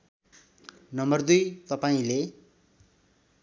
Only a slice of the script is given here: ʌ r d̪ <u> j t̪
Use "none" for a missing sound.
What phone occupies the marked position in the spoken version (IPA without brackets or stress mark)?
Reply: u